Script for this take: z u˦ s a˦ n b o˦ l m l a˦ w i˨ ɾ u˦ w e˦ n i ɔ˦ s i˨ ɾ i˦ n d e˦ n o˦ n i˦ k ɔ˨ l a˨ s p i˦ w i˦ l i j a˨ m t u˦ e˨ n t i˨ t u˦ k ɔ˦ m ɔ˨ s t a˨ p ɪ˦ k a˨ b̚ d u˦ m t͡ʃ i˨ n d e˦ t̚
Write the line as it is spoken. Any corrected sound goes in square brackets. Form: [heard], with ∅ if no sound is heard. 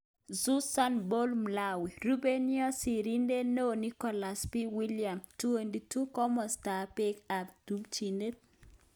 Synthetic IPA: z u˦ s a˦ n b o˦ l m l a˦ w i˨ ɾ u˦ [b] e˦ n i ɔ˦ s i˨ ɾ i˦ n d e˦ n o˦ n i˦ k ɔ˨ l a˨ s p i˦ w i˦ l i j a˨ m t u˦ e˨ n [d] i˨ t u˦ k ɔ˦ m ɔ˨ s t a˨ p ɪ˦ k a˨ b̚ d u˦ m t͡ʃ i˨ n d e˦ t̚

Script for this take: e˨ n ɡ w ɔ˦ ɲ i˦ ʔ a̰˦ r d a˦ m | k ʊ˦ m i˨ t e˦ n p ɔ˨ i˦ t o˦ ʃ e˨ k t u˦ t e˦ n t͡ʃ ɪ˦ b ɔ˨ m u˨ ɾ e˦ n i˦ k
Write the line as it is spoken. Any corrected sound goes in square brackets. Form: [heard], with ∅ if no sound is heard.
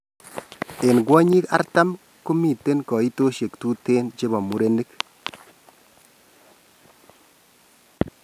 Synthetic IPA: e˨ n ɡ w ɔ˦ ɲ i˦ [k] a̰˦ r [t] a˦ m | k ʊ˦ m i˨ t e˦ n [k] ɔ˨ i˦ t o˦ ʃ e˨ k t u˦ t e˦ n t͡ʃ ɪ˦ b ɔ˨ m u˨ ɾ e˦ n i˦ k

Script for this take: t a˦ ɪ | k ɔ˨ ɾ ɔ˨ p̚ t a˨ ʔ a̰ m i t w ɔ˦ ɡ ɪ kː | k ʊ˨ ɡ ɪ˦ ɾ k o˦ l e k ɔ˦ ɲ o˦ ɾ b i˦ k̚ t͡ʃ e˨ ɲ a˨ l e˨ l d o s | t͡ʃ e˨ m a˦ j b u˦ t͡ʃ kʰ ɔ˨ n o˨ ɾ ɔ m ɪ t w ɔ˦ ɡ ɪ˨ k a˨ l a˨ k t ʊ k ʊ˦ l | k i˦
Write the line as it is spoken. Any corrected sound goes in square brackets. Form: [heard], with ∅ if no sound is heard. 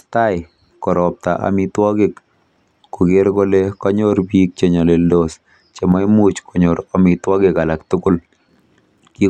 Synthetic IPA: t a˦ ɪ | k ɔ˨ ɾ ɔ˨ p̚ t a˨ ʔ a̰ m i t w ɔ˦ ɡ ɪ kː | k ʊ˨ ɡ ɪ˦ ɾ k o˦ l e k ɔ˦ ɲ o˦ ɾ b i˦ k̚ t͡ʃ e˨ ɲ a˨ l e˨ l d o s | t͡ʃ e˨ m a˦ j [m] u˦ t͡ʃ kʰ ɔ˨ [ɲ] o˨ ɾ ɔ m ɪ t w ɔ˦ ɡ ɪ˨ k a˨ l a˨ k t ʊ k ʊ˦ l | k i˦

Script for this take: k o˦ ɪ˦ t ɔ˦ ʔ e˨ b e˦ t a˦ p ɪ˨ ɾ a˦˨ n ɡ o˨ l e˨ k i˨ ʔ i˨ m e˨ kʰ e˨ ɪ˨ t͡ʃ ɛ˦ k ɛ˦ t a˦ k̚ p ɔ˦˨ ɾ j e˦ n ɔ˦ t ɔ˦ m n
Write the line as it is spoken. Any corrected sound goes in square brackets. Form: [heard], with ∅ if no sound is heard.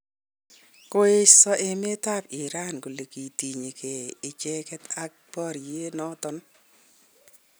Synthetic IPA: k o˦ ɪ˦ [s] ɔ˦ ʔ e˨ [m] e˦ t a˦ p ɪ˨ ɾ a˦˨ n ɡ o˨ l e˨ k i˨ [t] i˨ [ɲ] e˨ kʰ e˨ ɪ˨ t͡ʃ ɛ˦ k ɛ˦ t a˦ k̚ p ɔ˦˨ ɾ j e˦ n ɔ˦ t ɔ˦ [∅] n

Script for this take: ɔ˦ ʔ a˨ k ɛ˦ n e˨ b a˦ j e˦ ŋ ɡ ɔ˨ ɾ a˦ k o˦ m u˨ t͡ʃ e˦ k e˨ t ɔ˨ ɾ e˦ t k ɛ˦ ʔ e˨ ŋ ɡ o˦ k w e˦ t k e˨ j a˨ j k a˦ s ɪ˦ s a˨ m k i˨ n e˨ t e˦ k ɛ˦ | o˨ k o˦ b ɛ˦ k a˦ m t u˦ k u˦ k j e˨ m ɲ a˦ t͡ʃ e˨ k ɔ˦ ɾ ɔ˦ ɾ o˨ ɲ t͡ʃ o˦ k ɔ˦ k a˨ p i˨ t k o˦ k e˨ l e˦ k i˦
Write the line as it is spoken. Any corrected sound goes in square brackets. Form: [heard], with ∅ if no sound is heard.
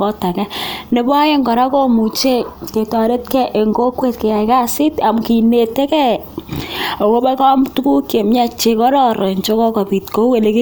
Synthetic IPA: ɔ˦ [t] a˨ k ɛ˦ n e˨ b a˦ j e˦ ŋ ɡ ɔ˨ ɾ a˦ k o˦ m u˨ t͡ʃ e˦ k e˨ t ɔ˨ ɾ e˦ t k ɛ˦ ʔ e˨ ŋ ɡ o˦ k w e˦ t k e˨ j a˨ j k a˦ s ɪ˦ [t] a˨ m k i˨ n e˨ t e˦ k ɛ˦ | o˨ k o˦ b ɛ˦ k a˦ m t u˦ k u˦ k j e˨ m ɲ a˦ t͡ʃ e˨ k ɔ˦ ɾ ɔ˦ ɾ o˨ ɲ t͡ʃ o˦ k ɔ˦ k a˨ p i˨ t k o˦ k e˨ l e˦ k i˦

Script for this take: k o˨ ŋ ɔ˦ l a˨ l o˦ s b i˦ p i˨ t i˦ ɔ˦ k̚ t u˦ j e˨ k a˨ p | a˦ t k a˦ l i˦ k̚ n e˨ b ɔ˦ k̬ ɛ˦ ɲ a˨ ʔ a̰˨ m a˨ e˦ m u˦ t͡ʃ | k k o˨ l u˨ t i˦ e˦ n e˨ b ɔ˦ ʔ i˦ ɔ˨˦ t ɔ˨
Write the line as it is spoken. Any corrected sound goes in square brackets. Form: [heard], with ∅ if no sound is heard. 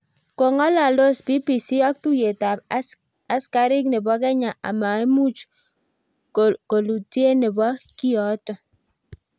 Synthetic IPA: k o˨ ŋ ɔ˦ l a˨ l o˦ s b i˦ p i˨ [s] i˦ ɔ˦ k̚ t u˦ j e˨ [t] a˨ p | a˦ [s] k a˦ [ɾ] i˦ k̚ n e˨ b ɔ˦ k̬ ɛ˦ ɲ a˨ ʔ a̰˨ m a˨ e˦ m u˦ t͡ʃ | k k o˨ l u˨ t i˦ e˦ n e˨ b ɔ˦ [k] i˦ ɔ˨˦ t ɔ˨

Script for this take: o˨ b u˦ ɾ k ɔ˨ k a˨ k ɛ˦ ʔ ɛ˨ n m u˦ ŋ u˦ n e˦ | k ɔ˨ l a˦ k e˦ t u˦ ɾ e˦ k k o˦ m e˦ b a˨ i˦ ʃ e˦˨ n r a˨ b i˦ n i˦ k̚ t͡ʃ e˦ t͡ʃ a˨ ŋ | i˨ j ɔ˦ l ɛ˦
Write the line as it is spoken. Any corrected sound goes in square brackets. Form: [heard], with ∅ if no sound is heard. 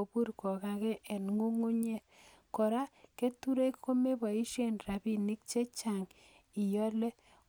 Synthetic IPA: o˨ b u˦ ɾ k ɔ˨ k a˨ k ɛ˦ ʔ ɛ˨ n [ŋ] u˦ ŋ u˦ [ɲ] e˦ | k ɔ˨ [ɾ] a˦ k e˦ t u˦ ɾ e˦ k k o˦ m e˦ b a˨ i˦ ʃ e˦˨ n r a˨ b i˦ n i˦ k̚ t͡ʃ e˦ t͡ʃ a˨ ŋ | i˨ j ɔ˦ l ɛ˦

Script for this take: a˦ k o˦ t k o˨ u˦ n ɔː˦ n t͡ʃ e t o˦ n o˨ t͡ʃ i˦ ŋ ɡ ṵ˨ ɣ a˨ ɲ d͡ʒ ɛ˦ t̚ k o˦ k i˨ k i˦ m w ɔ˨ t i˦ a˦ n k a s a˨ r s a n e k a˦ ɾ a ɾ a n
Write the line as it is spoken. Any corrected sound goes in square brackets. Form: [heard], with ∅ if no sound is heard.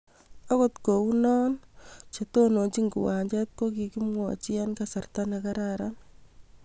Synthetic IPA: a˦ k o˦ t k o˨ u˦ n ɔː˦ n t͡ʃ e t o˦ n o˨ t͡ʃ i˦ ŋ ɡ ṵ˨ [w] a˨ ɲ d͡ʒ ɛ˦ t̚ k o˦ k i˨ k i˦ m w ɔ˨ [t͡ʃ] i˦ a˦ n k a s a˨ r [t] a n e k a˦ ɾ a ɾ a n

